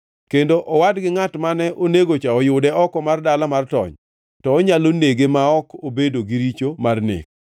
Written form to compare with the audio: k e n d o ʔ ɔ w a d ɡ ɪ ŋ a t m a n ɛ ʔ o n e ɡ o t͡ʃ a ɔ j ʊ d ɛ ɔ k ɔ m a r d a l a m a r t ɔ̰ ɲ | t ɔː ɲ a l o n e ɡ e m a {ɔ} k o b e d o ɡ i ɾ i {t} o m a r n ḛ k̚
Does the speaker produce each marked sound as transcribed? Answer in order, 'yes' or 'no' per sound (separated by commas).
yes, no